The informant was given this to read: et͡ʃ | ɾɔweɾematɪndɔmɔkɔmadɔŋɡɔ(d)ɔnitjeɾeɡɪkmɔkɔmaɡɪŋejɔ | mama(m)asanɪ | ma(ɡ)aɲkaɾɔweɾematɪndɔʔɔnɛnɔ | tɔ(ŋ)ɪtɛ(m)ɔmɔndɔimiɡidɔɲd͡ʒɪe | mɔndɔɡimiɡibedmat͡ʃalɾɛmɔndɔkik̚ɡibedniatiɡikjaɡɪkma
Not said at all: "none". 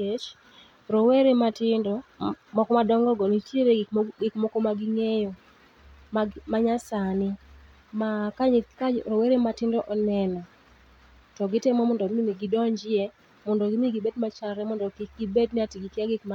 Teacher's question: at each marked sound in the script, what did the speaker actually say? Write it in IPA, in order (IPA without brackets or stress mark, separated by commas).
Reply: ɡ, ɲ, k, ɡ, m